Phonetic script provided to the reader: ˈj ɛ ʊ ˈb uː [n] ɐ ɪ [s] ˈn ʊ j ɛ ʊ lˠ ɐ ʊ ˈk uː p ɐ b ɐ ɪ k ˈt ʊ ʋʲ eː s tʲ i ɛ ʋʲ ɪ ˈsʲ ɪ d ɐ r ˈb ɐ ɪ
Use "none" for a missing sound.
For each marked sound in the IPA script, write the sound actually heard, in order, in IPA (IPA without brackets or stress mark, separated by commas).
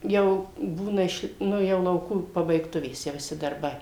n, ʃ